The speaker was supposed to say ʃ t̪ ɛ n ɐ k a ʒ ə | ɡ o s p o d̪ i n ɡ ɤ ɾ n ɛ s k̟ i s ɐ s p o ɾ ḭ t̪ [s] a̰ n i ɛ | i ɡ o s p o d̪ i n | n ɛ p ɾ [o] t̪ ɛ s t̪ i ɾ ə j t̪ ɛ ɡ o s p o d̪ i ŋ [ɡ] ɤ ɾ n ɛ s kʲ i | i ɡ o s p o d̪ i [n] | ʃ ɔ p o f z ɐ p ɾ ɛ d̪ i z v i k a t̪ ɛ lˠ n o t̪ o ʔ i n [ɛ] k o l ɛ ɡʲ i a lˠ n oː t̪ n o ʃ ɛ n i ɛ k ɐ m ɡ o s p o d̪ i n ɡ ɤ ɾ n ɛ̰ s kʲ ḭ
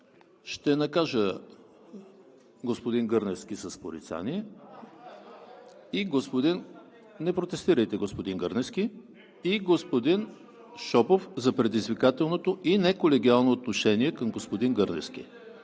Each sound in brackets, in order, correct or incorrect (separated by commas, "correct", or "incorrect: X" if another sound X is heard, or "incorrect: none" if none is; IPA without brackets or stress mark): correct, correct, correct, correct, correct